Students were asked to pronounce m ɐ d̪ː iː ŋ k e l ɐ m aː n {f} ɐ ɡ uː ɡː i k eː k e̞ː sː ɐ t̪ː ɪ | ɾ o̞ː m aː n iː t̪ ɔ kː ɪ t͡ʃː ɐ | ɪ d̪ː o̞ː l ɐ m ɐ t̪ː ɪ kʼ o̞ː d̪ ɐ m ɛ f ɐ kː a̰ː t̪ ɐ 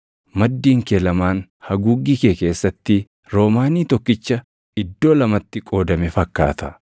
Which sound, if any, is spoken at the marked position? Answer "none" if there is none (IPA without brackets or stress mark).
h